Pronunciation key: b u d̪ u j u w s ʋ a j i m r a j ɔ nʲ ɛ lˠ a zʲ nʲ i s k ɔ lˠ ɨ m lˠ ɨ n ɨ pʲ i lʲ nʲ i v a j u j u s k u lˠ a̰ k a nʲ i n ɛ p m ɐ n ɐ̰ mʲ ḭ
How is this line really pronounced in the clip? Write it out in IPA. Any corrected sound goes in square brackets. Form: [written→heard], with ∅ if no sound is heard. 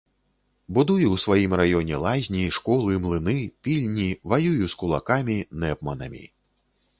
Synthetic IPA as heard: b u d̪ u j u w s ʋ a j i m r a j ɔ nʲ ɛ lˠ a zʲ nʲ i [s→ʂ] k ɔ lˠ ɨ m lˠ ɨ n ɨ pʲ i lʲ nʲ i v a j u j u s k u lˠ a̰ k a [nʲ→mʲ] i n ɛ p m ɐ n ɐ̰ mʲ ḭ